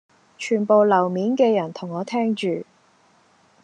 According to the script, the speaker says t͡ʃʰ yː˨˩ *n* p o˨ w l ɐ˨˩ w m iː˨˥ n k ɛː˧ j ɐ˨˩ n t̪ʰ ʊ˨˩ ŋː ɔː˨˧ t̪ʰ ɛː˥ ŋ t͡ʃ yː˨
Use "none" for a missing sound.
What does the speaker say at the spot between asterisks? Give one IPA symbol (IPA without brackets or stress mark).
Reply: n